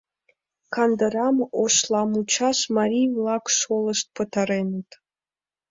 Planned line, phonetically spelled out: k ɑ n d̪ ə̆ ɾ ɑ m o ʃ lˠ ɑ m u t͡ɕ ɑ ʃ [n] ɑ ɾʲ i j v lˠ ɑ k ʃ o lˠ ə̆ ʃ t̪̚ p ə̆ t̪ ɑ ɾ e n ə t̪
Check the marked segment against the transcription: incorrect: m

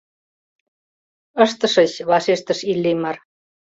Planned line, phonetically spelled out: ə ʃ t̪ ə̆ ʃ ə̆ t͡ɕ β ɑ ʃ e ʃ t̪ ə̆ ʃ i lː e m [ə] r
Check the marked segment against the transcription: incorrect: ɑ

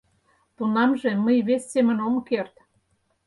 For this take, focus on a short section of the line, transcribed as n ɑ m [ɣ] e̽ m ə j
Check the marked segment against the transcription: incorrect: ʒ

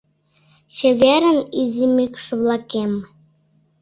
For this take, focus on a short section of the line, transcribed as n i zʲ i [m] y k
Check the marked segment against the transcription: correct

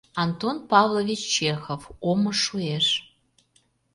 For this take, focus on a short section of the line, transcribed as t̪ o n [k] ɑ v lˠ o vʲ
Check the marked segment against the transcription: incorrect: p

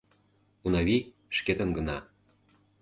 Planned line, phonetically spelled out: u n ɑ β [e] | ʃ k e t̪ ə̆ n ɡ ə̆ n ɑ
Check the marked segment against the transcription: incorrect: i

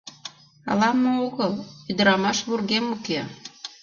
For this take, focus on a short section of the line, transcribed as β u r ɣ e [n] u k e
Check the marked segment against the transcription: incorrect: m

